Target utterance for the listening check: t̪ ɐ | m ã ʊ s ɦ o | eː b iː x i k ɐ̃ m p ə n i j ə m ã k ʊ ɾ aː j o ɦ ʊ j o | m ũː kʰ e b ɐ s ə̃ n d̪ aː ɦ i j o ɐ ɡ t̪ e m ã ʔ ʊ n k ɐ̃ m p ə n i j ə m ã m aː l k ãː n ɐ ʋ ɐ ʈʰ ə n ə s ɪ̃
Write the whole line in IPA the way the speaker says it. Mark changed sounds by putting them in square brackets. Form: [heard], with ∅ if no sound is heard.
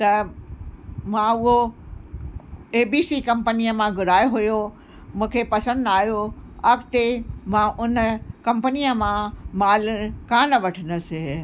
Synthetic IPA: t̪ ɐ | m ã ʊ [∅] ɦ o | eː b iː [s] i k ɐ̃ m p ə n i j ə m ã [ɡ] ʊ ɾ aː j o ɦ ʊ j o | m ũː kʰ e [p] ɐ s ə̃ n d̪ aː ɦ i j o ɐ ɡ t̪ e m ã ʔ ʊ n k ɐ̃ m p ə n i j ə m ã m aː l k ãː n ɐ ʋ ɐ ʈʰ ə n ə s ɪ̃